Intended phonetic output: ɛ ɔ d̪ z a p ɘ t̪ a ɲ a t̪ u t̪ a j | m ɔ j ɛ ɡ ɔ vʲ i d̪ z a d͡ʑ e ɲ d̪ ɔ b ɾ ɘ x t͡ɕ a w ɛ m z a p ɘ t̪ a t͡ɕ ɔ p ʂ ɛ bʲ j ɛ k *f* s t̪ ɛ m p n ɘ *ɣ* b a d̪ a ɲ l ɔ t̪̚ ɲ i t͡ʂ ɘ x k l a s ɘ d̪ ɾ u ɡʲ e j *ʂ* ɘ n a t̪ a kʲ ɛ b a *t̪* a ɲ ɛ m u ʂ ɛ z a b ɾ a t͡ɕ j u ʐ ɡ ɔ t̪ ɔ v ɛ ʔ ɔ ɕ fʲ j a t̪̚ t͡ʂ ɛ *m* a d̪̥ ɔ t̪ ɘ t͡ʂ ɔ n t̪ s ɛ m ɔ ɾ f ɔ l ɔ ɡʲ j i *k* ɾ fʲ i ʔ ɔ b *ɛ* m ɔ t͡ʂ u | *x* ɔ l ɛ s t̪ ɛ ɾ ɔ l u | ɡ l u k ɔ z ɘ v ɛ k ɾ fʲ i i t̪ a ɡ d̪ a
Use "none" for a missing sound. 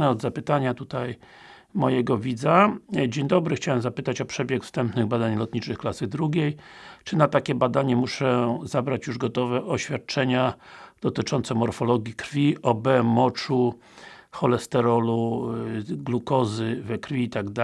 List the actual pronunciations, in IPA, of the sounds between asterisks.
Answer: f, ɣ, t͡ʂ, d̪, ɲ, k, ɛ, x

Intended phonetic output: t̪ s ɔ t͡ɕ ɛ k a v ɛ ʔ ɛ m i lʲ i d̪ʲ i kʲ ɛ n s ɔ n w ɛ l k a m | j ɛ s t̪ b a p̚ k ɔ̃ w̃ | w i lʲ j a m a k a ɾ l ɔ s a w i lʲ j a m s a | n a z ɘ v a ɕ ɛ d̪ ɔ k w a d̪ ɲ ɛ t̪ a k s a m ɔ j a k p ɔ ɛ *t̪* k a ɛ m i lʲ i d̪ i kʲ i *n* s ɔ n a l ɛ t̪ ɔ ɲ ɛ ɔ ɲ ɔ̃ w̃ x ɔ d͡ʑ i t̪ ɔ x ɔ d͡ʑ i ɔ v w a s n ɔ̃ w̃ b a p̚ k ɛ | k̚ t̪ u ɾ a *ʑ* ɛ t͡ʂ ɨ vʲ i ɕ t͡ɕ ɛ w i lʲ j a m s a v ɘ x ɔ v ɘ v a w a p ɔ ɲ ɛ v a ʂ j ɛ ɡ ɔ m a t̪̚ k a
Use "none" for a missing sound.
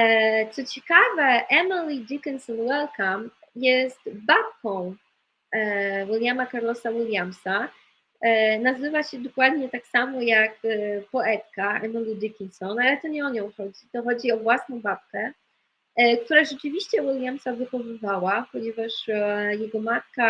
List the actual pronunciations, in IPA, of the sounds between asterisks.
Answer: t̪, n, ʐ

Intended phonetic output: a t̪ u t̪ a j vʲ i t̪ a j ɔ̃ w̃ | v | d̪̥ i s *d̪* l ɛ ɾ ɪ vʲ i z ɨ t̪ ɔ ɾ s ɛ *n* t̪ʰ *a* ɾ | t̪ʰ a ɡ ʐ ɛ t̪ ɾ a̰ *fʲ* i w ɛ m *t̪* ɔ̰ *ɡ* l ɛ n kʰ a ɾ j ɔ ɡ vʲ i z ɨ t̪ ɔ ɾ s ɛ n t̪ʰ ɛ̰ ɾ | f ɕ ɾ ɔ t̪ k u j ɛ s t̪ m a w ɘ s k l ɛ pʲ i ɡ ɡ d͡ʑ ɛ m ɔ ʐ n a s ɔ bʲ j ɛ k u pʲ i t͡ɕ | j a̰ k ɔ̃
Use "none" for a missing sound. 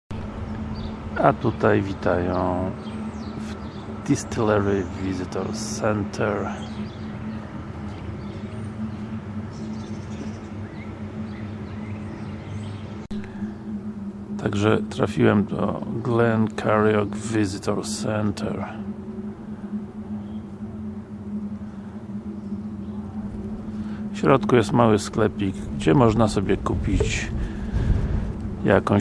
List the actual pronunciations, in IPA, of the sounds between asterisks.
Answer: t̪, n, ɛ, fʲ, d̪, ɡ

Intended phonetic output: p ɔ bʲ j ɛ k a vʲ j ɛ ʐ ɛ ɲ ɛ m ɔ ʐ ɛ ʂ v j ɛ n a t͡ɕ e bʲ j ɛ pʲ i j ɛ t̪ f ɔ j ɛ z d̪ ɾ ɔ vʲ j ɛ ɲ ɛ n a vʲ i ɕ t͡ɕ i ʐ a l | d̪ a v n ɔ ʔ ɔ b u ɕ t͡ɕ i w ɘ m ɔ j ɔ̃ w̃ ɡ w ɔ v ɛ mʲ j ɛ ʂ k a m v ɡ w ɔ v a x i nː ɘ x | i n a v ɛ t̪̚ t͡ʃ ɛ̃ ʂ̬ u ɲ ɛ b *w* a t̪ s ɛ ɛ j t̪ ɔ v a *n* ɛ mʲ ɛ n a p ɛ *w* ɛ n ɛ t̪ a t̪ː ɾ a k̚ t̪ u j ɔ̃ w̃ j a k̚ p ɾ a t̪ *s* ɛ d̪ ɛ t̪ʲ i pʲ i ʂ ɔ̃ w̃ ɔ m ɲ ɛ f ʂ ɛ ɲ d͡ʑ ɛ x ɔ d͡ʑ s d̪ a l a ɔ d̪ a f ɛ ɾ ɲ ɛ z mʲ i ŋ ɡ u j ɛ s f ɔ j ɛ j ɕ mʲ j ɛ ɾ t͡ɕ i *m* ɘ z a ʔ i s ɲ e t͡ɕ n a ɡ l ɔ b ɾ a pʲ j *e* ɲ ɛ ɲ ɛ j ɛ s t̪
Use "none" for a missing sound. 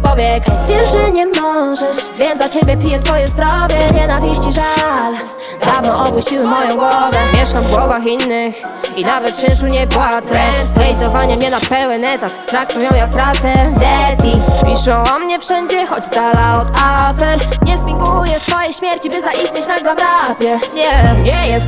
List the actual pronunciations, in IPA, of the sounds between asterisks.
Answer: w, ɲ, w, s, b, ɛ

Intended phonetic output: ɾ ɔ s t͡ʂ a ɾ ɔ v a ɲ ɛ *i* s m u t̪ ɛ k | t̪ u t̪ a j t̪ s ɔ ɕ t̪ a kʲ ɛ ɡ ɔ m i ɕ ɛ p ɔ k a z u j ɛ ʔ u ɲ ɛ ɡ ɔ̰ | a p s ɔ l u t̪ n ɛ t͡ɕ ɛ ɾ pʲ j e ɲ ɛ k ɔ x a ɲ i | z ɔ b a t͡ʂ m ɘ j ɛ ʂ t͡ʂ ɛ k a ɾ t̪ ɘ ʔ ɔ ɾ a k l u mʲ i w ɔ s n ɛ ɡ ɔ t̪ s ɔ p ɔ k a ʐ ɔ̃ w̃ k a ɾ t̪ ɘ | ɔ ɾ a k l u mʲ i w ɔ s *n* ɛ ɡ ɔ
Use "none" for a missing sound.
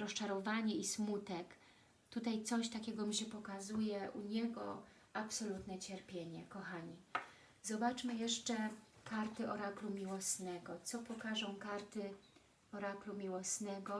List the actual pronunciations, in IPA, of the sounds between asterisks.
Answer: i, n

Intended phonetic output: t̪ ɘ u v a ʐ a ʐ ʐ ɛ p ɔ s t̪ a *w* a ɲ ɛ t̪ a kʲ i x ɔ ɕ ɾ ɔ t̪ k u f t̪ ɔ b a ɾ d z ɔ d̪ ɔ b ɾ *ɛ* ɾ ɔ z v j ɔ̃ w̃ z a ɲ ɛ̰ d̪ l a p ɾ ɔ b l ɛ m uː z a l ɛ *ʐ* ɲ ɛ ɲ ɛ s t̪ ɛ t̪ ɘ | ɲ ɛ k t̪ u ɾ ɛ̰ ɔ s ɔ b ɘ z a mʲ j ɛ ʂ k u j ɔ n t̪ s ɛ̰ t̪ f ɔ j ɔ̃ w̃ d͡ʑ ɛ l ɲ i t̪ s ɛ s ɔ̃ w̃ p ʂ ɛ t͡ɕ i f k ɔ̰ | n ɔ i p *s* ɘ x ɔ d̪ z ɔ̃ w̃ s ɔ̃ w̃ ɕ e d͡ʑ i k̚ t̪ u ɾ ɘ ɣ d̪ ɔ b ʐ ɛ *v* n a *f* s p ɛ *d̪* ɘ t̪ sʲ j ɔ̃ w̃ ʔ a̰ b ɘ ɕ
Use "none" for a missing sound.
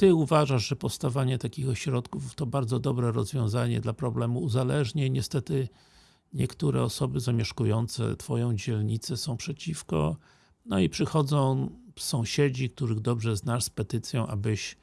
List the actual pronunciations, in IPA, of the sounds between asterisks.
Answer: v, ɛ, ʐ, ʂ, z, ʂ, t̪

